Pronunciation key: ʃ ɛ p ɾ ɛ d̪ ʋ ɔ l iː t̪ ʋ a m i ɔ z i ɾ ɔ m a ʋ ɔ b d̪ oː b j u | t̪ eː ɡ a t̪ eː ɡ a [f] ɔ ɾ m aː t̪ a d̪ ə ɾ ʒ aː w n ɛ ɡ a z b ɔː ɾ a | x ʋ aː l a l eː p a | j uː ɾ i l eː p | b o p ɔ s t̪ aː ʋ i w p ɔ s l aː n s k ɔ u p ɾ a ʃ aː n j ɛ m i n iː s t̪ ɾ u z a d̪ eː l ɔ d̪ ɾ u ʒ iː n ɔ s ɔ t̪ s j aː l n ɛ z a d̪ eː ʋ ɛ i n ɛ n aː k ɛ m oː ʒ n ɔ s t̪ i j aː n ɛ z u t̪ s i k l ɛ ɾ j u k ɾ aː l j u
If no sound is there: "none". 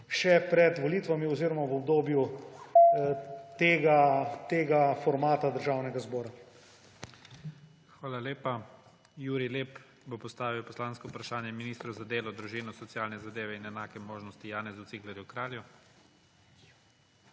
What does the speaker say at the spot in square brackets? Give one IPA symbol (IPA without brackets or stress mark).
f